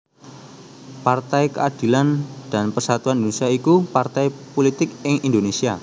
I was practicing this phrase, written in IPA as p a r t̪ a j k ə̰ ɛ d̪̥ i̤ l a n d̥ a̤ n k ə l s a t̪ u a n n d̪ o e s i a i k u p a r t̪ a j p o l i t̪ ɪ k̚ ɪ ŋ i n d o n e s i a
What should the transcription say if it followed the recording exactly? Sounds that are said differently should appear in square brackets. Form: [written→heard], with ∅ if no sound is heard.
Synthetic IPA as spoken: p a r t̪ a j k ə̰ [ɛ→a] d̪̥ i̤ l a n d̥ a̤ n [k→p] ə [l→r] s a t̪ u a n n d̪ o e s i a i k u p a r t̪ a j p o l i t̪ ɪ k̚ ɪ ŋ i n d o n e s i a